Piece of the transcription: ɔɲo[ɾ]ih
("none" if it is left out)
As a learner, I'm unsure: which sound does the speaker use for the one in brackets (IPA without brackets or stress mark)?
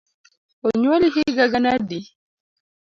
l